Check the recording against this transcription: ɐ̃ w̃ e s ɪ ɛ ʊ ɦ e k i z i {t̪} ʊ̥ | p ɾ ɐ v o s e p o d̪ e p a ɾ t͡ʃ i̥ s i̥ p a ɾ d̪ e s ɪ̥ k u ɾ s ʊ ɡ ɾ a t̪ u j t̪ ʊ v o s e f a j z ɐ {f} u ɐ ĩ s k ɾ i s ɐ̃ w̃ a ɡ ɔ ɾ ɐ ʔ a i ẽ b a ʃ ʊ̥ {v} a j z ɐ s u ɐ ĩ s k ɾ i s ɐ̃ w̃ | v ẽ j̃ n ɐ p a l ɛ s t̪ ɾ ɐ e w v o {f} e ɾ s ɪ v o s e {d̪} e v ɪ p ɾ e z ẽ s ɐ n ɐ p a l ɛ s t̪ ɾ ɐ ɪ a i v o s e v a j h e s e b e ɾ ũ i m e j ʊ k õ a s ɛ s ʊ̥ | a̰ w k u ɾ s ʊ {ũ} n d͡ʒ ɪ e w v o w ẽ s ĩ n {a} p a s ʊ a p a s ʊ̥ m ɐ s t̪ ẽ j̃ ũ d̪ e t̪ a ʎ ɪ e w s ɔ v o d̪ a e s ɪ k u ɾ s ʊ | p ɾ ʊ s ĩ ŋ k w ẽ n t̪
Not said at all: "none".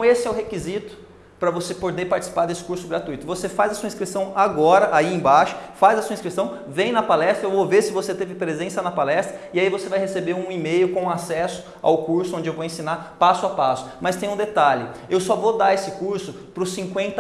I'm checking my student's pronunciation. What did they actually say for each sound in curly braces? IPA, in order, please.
t̪, s, f, v, t̪, õ, a

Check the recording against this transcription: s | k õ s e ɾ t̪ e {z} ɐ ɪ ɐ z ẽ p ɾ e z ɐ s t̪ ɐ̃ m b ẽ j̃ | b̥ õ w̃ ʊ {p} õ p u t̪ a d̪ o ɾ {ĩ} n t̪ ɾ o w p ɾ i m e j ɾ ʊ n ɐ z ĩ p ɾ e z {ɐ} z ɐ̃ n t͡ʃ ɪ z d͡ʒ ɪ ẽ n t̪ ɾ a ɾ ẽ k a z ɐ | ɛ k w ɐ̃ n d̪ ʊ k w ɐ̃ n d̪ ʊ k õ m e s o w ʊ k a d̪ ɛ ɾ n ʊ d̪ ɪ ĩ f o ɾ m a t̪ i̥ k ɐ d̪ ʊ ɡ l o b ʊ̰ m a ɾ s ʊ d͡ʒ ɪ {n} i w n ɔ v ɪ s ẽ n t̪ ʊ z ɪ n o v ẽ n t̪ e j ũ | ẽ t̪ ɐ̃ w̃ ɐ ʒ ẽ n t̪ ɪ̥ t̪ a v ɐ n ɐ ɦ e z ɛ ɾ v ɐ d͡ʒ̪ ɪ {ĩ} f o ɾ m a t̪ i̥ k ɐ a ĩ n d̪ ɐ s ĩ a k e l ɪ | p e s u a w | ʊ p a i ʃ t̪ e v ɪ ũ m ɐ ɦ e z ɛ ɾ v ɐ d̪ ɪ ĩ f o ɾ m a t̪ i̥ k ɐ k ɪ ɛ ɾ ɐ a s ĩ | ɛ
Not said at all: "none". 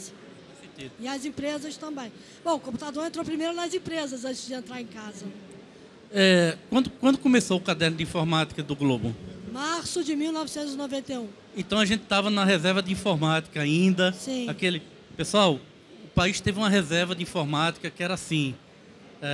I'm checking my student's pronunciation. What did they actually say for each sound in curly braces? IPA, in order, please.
z, k, ẽ, ɐ, m, ĩ

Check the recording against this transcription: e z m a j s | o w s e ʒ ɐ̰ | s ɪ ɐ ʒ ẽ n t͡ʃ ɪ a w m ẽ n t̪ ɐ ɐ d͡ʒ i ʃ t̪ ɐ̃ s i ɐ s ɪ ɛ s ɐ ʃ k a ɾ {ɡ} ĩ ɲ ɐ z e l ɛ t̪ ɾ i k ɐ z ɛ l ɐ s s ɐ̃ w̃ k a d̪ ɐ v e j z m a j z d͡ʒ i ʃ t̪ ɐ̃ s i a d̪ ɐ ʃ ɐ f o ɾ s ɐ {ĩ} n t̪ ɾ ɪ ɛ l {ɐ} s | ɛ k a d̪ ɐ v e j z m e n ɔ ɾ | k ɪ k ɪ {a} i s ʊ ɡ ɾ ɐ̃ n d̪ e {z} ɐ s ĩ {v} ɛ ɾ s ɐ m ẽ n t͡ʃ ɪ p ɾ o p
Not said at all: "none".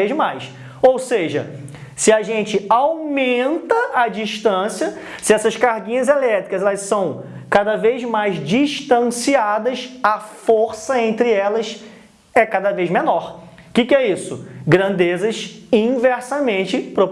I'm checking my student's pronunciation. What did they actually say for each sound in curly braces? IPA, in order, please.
ɡ, ẽ, ɐ, ɛ, z, v

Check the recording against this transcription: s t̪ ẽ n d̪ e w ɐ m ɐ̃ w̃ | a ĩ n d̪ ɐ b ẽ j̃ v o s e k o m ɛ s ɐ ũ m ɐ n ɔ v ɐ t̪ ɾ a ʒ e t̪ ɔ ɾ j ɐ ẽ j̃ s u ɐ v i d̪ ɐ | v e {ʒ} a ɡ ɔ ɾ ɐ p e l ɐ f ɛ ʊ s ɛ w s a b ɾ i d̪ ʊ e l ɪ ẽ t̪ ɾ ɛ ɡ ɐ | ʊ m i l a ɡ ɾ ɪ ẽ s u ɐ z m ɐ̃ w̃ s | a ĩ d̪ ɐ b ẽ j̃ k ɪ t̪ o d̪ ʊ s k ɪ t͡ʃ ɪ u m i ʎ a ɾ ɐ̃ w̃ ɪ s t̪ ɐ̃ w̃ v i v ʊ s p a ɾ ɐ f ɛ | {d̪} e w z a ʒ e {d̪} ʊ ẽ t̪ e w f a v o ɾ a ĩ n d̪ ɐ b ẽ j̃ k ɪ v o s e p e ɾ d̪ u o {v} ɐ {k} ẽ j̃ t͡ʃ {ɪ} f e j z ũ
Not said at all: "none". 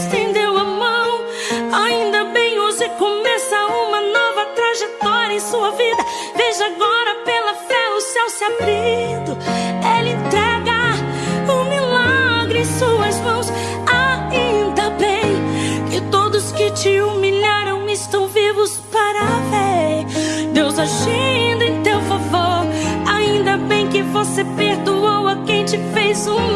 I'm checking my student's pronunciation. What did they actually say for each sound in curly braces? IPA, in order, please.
ʒ, d̪, d̪, w, k, ɪ

